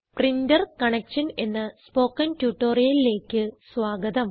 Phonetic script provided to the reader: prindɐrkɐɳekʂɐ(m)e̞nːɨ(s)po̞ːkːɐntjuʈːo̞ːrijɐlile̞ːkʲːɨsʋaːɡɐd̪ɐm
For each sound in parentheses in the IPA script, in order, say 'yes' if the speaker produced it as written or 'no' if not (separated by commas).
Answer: no, yes